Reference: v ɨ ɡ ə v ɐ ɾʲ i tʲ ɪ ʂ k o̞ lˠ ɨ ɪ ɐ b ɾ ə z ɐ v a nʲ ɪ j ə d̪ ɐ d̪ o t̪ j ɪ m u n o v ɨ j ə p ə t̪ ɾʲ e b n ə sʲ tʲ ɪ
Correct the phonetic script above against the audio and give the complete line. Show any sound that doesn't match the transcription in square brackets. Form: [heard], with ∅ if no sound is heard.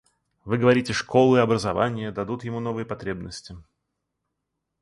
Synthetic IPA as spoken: v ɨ ɡ ə v ɐ ɾʲ i tʲ ɪ ʂ k o̞ lˠ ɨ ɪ ɐ b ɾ ə z ɐ v a nʲ ɪ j ə d̪ ɐ d̪ [u] t̪ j ɪ m u n o v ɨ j ə p [ɐ] t̪ ɾʲ e b n ə sʲ tʲ ɪ